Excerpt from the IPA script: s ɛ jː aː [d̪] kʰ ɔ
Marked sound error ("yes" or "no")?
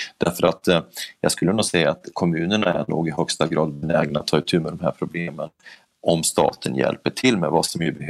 yes